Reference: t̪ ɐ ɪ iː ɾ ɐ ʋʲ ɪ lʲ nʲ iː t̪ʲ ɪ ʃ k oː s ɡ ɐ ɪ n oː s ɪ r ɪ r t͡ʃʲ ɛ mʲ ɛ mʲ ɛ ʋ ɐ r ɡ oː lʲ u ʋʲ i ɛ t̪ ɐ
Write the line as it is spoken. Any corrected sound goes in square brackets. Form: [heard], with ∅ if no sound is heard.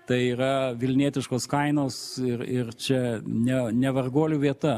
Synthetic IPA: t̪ ɐ ɪ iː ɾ ɐ ʋʲ ɪ lʲ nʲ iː t̪ʲ ɪ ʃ k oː s [k] ɐ ɪ n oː s ɪ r ɪ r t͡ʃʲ ɛ [nʲ] ɛ [nʲ] ɛ ʋ ɐ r ɡ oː lʲ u ʋʲ i ɛ t̪ ɐ